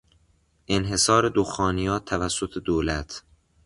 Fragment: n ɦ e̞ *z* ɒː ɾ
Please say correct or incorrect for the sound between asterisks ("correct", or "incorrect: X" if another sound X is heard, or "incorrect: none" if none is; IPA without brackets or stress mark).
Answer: incorrect: s